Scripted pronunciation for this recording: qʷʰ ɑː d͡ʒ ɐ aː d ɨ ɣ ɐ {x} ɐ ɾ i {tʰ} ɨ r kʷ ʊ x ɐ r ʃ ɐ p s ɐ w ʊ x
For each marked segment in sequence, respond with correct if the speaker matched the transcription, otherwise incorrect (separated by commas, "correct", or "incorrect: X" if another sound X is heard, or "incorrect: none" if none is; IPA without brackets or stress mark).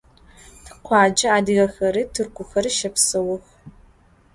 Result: correct, correct